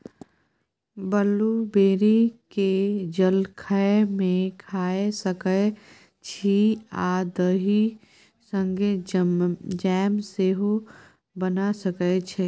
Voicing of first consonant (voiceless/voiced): voiced